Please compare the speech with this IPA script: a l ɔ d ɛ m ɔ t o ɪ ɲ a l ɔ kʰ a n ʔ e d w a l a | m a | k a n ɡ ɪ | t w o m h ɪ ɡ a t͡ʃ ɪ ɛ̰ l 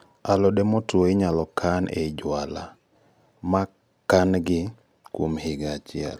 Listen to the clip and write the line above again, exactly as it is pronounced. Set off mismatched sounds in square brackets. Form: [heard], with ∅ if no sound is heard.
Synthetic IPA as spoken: a l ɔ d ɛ m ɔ t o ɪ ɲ a l ɔ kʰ a n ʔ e [d͡ʒ] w a l a | m a | k a n ɡ ɪ | [k] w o m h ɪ ɡ a t͡ʃ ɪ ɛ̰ l